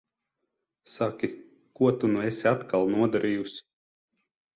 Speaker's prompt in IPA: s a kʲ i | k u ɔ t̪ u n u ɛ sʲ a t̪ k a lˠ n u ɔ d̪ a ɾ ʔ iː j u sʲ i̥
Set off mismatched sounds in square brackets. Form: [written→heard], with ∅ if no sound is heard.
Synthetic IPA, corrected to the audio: s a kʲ i | k u ɔ t̪ u n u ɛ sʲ a t̪ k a lˠ n u ɔ d̪ a ɾ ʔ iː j u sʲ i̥